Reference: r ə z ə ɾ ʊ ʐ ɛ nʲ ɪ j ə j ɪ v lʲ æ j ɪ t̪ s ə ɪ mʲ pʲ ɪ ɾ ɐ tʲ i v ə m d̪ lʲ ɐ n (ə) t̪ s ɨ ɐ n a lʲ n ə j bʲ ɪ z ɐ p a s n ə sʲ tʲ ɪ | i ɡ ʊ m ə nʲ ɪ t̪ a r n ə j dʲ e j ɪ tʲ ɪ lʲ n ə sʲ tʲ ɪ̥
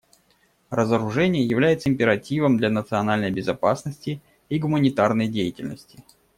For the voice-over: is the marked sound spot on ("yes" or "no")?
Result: yes